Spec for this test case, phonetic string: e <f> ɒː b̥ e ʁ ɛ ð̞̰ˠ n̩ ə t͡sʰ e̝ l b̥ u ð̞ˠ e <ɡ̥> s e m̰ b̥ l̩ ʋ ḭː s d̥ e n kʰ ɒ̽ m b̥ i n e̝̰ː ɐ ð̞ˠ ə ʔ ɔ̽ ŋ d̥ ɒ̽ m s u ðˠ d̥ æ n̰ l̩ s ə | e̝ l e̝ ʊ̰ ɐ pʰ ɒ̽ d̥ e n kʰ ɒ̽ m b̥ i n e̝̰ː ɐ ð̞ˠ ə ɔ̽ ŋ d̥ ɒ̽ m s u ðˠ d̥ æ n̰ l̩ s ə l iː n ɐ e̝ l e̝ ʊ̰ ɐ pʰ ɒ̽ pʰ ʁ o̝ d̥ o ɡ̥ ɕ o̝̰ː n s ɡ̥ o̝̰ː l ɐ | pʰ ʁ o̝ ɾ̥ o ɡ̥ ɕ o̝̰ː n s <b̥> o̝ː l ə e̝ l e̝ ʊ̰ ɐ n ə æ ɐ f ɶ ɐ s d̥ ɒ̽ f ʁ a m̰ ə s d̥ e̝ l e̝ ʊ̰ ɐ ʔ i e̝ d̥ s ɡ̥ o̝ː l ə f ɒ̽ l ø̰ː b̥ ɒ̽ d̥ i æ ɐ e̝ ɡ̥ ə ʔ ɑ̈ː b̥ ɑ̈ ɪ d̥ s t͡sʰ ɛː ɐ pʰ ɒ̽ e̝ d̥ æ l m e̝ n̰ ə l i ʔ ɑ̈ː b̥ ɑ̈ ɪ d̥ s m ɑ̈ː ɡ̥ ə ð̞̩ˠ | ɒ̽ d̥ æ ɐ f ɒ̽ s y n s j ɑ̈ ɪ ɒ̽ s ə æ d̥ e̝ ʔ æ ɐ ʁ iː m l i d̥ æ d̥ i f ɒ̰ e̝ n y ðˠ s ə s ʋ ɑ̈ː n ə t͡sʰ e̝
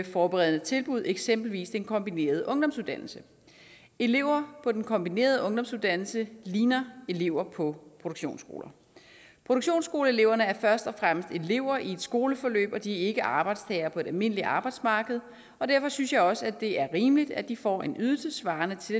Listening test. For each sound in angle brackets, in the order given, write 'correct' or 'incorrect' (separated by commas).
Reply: correct, correct, incorrect